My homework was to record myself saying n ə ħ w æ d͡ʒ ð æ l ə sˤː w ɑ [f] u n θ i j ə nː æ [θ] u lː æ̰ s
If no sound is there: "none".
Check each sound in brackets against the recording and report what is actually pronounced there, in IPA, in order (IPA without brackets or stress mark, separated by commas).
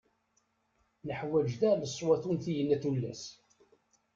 θ, θ